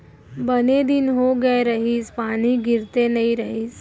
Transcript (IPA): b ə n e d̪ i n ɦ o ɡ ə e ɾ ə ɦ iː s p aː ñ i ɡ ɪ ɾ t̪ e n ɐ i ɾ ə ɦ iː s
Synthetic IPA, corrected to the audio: b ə n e d̪ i n ɦ o ɡ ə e ɾ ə ɦ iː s p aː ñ i ɡ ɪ ɾ t̪ e n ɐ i ɾ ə ɦ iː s